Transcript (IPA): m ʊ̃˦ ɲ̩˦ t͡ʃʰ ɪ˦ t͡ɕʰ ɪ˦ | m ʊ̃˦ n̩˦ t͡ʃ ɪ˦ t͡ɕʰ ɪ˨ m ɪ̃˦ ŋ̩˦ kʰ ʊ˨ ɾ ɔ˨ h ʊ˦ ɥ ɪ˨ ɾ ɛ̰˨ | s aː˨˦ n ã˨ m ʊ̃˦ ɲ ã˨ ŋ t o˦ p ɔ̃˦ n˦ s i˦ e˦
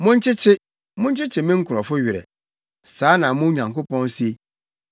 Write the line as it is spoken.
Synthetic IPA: m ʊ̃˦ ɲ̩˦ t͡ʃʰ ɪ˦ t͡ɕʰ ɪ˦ | m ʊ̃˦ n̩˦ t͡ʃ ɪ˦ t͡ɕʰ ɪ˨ m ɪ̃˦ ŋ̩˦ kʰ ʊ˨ ɾ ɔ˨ f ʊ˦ ɥ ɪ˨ ɾ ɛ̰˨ | s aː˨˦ n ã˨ m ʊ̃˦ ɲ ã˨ ŋ k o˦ p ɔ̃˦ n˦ s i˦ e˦